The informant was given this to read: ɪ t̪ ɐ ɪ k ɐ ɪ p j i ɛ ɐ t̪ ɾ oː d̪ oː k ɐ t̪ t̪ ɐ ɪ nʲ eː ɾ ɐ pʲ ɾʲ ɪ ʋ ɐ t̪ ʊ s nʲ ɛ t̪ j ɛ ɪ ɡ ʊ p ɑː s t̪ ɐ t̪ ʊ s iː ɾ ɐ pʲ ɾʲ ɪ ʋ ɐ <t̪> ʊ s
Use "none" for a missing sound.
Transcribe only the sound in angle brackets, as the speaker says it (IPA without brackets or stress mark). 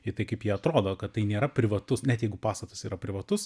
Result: t̪